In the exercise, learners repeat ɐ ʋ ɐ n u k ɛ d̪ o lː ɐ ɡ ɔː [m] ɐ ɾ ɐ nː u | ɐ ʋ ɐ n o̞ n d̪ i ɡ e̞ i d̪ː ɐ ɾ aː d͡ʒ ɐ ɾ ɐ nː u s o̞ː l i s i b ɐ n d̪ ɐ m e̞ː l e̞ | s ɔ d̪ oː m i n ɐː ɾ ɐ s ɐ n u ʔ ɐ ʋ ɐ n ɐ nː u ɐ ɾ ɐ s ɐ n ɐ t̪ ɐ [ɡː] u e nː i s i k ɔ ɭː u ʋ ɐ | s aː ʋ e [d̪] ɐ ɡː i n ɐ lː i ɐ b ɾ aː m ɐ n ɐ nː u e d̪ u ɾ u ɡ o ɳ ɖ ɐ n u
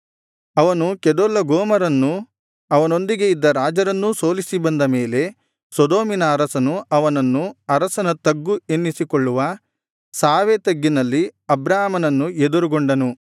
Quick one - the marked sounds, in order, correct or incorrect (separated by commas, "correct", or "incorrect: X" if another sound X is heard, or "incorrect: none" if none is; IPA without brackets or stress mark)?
correct, correct, incorrect: t̪